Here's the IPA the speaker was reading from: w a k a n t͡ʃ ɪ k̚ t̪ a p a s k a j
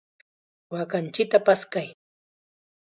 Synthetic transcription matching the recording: w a k a n t͡ʃ ɪ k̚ t̪ a p a s k a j